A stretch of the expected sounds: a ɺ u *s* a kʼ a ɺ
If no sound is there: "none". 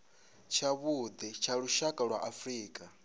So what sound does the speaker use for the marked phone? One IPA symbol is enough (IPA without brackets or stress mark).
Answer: ʃ